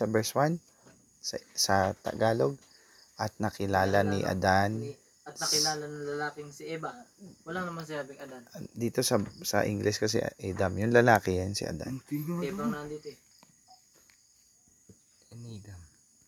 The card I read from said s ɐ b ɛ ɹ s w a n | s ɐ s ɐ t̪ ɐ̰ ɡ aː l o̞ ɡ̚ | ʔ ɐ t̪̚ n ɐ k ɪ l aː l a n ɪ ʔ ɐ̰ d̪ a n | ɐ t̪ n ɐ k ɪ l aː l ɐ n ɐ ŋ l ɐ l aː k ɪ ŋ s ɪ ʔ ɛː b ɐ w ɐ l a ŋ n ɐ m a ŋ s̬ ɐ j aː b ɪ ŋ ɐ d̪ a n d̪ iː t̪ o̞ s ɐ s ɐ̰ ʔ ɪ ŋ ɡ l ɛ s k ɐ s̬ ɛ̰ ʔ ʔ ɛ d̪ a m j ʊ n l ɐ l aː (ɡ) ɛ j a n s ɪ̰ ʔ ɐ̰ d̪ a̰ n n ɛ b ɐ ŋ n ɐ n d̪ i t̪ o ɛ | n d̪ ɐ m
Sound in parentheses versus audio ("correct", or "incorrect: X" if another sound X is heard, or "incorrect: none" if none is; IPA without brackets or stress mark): incorrect: k